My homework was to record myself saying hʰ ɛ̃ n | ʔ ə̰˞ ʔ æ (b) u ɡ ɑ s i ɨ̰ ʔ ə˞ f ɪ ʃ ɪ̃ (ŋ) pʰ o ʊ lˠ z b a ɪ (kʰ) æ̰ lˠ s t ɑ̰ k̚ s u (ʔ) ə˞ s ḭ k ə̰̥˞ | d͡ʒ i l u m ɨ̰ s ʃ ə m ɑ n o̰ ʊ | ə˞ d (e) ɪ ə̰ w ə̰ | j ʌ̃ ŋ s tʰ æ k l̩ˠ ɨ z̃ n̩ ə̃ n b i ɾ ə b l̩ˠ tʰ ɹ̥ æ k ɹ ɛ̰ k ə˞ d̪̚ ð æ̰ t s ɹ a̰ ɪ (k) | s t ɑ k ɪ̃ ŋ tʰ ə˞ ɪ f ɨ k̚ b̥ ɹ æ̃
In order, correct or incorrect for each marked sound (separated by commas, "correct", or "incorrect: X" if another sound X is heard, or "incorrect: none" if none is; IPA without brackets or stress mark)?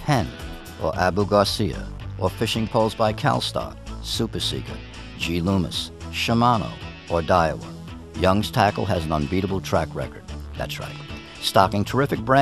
correct, correct, correct, incorrect: p, incorrect: a, incorrect: t